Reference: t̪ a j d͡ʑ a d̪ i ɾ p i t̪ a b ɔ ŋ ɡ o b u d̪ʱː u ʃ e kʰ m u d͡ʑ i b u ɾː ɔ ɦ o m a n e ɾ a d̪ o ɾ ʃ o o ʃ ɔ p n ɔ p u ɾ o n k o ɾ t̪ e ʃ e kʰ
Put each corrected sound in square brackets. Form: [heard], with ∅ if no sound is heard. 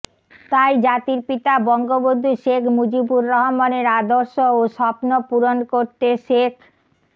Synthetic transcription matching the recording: t̪ a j d͡ʑ a [t̪] i ɾ p i t̪ a b ɔ ŋ ɡ o b [o] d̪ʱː u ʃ e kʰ m u d͡ʑ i b u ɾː ɔ ɦ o m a n e ɾ a d̪ o ɾ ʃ o o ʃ ɔ p n [o] p u ɾ o n k o ɾ t̪ e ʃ e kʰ